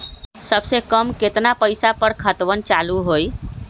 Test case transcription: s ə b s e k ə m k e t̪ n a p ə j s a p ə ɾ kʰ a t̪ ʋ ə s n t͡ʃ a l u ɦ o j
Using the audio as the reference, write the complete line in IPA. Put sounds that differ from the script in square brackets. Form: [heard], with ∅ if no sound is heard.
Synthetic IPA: s ə b s e k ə m k e t̪ n a p ə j s a p ə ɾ kʰ [ə] t̪ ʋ ə [∅] n t͡ʃ a l u ɦ o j